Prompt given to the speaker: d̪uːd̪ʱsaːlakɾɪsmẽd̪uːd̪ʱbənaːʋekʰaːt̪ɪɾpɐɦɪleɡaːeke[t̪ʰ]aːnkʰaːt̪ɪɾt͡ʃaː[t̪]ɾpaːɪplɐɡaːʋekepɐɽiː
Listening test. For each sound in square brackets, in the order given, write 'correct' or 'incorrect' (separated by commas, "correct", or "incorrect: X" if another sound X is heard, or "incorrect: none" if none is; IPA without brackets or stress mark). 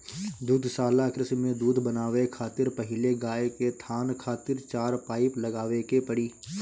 correct, incorrect: none